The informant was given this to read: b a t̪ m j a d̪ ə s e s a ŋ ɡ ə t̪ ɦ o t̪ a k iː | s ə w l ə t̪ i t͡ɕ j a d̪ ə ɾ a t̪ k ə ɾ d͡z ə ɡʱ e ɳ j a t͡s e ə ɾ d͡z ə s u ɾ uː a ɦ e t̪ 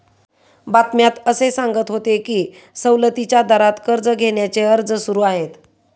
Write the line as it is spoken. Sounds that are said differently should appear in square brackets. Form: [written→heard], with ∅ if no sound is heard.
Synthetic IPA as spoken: b a t̪ m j a [d̪→t̪] ə s e s a ŋ ɡ ə t̪ ɦ o t̪ [a→e] k iː | s ə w l ə t̪ i t͡ɕ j a d̪ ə ɾ a t̪ k ə ɾ d͡z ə ɡʱ e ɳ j a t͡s e ə ɾ d͡z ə s u ɾ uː a ɦ e t̪